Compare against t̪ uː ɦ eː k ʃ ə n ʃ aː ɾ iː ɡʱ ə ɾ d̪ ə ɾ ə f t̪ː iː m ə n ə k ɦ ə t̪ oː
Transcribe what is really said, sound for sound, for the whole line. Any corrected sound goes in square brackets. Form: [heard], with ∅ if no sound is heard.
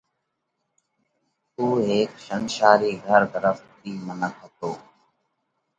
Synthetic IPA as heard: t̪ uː ɦ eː k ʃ ə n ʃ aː ɾ iː ɡʱ ə ɾ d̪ ə ɾ ə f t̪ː iː m ə n ə k ɦ ə t̪ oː